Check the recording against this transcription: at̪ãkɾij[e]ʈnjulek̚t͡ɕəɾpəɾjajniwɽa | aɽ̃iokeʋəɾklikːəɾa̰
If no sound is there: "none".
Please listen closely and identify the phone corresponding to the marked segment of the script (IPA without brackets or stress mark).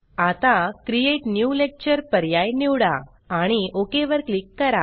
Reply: e